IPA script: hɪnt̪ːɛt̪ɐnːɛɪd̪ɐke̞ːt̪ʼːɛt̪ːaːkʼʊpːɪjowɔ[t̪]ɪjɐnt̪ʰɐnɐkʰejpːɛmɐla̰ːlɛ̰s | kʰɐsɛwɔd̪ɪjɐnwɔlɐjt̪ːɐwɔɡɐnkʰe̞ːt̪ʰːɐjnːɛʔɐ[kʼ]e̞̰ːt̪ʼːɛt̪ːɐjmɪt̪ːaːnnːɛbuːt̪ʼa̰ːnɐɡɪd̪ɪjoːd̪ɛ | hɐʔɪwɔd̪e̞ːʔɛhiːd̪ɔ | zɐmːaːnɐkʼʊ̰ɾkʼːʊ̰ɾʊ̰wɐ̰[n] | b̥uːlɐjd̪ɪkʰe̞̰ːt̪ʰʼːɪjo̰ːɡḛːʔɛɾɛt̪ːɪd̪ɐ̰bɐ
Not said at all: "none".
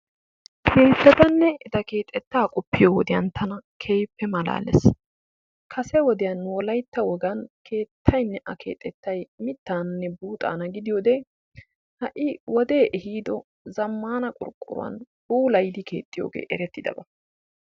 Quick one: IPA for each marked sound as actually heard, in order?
d̪, k, n

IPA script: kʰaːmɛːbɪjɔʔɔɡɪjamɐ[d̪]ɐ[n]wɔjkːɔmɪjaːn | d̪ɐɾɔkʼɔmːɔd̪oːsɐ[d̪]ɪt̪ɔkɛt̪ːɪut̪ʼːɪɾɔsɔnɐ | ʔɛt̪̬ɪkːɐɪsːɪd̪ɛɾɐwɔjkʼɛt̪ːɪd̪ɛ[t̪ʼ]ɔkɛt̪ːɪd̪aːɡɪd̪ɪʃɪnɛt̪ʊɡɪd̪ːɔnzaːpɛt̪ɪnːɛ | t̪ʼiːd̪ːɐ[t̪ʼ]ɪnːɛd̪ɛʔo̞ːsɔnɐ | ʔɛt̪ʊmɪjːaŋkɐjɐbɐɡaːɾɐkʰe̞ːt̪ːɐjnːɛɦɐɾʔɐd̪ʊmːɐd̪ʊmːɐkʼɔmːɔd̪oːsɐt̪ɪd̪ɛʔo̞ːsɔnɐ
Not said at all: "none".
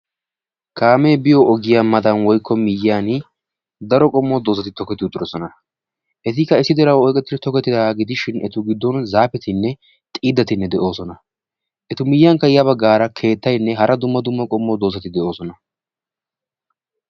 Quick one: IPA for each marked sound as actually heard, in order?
d̪, n, t̪, t̪, t̪

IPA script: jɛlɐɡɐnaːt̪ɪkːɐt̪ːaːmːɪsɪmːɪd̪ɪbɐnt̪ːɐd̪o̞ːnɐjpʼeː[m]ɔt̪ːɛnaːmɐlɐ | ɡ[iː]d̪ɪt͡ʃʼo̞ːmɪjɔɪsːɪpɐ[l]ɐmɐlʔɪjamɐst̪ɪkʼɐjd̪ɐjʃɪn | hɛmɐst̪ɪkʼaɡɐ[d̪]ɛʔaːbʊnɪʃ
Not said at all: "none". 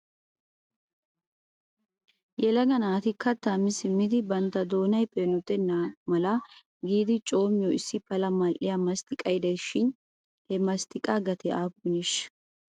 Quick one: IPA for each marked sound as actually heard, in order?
n, iː, l, t̪

